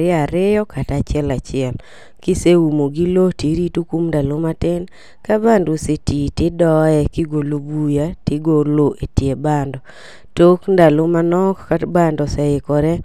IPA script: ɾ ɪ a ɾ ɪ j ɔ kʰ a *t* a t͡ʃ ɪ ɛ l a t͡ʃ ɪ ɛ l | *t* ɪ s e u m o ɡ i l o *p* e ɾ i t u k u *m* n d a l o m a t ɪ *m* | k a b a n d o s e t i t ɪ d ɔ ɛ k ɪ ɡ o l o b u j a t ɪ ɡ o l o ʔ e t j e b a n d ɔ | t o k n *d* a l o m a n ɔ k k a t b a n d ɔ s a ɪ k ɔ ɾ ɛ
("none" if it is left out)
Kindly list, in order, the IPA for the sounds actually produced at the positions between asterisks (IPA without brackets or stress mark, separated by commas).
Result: t, k, t, m, n, d